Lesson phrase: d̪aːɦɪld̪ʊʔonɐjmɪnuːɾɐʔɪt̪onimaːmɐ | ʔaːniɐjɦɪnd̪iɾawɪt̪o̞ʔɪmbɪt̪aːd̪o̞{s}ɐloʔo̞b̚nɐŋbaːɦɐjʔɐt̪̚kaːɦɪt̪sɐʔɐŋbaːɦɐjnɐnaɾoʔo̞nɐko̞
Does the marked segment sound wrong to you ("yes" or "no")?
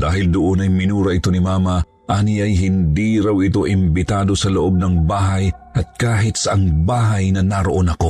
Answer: no